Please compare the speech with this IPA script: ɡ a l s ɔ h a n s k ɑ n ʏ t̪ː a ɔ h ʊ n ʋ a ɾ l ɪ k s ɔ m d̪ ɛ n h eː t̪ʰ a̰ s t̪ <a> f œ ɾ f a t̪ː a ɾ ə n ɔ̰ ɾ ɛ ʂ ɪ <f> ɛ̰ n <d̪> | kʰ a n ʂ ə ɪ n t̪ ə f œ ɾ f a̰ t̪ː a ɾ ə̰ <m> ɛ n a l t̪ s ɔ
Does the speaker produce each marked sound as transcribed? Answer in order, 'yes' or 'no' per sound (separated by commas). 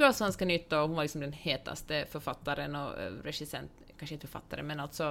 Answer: no, no, no, yes